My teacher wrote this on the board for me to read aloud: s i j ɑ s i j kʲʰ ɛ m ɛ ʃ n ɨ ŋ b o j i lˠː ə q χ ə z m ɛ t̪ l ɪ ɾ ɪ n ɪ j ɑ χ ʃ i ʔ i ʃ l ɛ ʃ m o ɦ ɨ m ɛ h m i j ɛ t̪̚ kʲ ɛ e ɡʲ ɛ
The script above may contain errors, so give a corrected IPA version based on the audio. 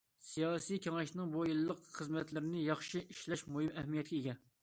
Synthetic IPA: s i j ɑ s i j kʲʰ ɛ ŋ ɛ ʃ n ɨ ŋ b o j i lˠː ə q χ ə z m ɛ t̪ l ɪ ɾ ɪ n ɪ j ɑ χ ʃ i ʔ i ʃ l ɛ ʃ m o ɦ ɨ m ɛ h m i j ɛ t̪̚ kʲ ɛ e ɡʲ ɛ